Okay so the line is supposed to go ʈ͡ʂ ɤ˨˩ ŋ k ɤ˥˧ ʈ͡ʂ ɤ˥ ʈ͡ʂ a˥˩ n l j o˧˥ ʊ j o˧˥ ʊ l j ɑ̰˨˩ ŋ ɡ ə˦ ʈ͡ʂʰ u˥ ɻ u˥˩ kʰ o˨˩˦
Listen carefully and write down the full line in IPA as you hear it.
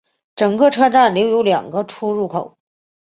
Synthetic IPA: ʈ͡ʂ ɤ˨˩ ŋ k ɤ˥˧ ʈ͡ʂʰ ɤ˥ ʈ͡ʂ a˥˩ n l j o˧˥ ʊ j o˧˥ ʊ l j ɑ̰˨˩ ŋ ɡ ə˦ ʈ͡ʂʰ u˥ ɻ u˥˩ kʰ o˨˩˦